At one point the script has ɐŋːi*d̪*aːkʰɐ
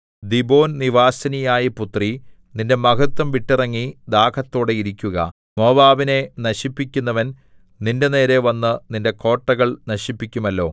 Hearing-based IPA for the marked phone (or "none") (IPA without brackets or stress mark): d̪